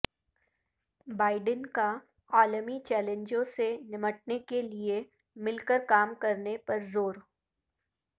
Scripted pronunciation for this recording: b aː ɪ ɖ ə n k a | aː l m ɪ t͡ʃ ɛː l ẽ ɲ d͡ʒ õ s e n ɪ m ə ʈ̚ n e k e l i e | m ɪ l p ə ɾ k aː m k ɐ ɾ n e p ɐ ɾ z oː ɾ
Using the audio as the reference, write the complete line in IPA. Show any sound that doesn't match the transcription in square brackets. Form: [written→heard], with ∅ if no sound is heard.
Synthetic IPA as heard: b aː ɪ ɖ ə n k a | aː l m [ɪ→i] t͡ʃ ɛː l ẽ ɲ d͡ʒ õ s e n ɪ m ə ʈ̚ n e k e l i e | m ɪ l [p→k] ə ɾ k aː m k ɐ ɾ n e p ɐ ɾ z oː ɾ